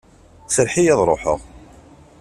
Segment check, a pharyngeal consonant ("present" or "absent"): present